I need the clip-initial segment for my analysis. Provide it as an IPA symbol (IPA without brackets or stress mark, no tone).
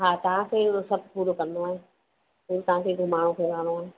ɦ